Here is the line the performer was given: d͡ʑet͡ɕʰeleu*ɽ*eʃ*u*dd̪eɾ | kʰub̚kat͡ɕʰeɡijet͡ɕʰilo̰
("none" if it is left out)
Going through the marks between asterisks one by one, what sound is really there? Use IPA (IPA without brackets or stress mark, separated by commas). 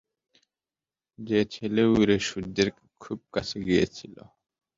ɾ, u